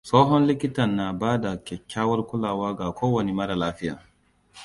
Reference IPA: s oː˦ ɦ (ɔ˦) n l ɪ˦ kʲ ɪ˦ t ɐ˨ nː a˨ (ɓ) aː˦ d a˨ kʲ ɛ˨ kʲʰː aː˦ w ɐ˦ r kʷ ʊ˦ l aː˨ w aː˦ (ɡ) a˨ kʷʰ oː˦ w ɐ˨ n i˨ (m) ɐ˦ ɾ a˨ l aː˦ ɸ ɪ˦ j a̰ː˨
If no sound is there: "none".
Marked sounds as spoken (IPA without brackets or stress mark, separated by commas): ɔ˦, b, ɡ, m